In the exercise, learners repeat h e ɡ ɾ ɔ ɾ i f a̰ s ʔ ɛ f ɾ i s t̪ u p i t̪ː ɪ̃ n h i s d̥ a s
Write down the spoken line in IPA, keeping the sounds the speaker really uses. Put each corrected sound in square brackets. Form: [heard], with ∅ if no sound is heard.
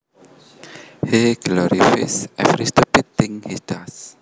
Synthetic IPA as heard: h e ɡ [l] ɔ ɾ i f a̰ s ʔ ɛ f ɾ i s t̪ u p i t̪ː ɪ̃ [ŋ] h i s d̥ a s